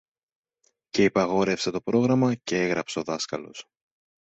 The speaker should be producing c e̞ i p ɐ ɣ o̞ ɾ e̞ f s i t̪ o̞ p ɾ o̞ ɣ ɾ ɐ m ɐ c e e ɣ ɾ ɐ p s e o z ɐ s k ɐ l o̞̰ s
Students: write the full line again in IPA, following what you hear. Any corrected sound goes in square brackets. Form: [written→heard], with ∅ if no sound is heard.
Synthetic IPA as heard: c e̞ i p ɐ ɣ o̞ ɾ e̞ f s [i→e] t̪ o̞ p ɾ o̞ ɣ ɾ ɐ m ɐ c e e ɣ ɾ ɐ p s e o [z→ð] ɐ s k ɐ l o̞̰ s